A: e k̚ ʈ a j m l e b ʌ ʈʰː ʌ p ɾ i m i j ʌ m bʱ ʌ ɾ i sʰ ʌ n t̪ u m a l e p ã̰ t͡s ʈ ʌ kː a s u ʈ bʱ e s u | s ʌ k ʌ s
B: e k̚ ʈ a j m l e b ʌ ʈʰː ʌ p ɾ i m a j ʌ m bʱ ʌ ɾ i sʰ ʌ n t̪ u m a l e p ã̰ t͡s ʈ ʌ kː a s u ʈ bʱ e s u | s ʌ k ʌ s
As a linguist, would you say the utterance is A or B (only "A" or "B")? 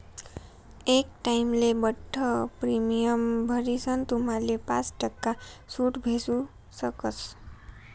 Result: A